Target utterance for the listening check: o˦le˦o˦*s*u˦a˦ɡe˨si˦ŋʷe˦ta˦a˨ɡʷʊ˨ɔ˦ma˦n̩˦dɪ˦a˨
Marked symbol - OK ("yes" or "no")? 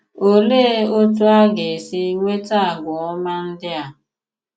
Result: no